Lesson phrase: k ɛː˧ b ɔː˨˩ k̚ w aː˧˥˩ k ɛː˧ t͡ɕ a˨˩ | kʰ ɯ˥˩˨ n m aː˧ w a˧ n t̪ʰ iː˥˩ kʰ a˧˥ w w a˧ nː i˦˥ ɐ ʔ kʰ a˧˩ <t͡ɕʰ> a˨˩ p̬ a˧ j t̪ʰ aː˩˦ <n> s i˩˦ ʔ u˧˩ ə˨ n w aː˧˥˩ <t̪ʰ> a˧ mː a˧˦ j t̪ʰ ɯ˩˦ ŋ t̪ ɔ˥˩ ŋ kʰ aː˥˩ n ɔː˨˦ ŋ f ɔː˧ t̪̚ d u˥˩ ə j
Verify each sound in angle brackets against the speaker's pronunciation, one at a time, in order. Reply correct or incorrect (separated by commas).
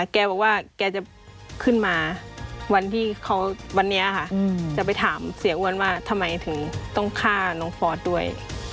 incorrect, incorrect, correct